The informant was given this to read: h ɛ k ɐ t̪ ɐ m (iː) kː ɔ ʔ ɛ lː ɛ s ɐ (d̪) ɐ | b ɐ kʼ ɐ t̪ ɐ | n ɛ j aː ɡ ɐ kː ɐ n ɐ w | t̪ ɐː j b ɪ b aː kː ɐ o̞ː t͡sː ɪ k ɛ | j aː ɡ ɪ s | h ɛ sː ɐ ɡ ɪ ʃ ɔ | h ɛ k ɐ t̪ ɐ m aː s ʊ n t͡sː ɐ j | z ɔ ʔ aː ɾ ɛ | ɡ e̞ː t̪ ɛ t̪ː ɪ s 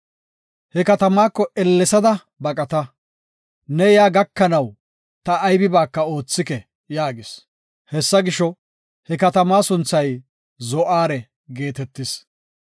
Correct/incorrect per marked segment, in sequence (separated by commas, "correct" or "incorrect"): incorrect, correct